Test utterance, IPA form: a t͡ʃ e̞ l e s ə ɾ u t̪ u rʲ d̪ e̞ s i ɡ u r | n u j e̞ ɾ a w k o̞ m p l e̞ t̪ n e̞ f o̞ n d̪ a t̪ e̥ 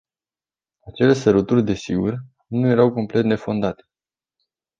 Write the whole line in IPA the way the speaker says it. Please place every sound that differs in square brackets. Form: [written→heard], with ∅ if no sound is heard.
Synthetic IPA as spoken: a t͡ʃ e̞ l e s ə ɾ u t̪ u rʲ d̪ e̞ s i ɡ u r | n u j e̞ ɾ a w k o̞ m p l e̞ t̪ n e̞ f o̞ n d̪ a t̪ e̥